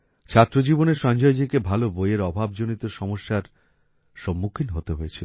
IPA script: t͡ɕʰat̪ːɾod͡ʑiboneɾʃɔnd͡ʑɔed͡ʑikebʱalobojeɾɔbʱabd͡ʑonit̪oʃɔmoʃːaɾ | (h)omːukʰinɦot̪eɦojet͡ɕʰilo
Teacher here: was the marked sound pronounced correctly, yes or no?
no